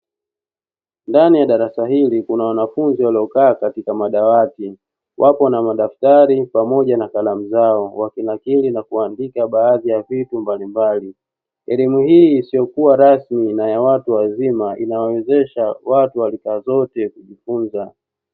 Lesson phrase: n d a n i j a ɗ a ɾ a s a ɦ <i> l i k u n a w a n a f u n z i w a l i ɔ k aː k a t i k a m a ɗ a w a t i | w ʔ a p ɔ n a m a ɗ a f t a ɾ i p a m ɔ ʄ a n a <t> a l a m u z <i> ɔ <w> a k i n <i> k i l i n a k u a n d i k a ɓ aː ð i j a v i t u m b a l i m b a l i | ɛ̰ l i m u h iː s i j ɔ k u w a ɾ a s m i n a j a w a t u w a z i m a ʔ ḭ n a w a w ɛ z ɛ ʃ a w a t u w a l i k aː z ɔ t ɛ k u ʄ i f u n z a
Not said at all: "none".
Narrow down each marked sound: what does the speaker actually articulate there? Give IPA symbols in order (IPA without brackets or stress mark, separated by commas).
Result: i, k, a, w, a